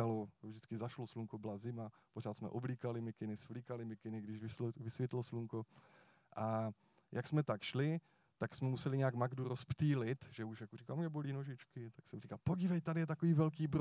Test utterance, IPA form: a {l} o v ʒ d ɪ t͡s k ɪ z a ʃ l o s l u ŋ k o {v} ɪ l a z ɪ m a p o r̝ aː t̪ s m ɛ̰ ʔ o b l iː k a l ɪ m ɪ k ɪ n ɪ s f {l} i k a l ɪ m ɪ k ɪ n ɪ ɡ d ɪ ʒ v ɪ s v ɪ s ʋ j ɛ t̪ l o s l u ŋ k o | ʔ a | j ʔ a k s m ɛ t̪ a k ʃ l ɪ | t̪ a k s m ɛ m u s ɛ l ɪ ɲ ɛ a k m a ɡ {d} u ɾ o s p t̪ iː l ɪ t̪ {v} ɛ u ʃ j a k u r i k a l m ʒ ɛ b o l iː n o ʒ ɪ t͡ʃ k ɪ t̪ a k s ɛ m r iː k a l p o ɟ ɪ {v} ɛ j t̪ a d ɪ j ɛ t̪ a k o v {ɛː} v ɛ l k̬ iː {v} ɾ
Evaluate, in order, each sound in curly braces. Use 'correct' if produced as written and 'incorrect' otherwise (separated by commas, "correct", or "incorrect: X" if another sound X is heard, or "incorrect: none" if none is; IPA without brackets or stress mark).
correct, incorrect: b, correct, correct, incorrect: ʒ, correct, incorrect: iː, incorrect: b